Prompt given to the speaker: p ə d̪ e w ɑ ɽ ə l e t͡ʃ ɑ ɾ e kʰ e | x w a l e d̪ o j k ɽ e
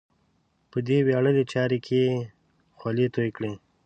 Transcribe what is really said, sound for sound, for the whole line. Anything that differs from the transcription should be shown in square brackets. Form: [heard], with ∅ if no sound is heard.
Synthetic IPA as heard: p ə d̪ e w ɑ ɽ ə l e t͡ʃ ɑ ɾ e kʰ e | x w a l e [t̪] o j k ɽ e